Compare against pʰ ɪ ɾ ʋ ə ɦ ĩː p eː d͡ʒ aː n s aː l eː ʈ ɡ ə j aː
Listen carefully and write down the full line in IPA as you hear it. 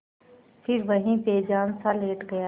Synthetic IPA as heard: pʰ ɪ ɾ ʋ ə ɦ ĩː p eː d͡ʒ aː n s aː l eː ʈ ɡ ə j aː